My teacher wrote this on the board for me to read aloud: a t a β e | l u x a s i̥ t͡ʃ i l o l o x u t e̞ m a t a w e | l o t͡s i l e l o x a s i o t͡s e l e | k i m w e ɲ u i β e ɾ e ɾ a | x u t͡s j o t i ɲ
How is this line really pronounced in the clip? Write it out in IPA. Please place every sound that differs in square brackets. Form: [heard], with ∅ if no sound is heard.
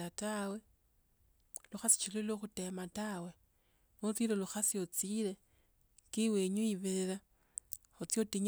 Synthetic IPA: a t a [w] e | l u x a s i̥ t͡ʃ i l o l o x u t e̞ m a t a w e | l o t͡s i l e l [u] x a s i o t͡s [i] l e | k i [∅] w e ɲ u i β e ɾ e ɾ a | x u t͡s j o t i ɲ